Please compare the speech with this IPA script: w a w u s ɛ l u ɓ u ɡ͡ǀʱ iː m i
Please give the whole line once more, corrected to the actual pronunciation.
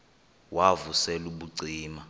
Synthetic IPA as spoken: w a v u s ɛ l u ɓ u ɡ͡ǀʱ iː m a